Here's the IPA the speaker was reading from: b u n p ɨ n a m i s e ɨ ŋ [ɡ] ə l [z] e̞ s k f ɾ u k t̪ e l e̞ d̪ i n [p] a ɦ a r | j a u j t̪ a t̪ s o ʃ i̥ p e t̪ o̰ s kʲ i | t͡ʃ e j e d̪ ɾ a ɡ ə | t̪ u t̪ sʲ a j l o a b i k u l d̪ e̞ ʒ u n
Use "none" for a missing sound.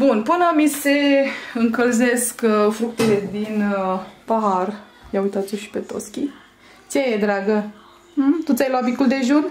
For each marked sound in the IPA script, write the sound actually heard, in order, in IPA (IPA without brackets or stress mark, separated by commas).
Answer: k, z, p